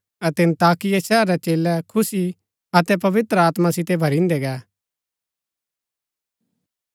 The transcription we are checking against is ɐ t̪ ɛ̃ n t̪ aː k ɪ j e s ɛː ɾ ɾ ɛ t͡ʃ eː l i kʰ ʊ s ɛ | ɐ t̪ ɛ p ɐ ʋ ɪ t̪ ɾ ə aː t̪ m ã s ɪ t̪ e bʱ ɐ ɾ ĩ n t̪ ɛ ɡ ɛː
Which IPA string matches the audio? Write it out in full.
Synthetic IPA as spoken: ɐ t̪ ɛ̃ n t̪ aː k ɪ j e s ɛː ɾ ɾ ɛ t͡ʃ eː l ɛ kʰ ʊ s i | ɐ t̪ ɛ p ɐ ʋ ɪ t̪ ɾ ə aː t̪ m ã s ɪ t̪ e bʱ ɐ ɾ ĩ n d̪ ɛ ɡ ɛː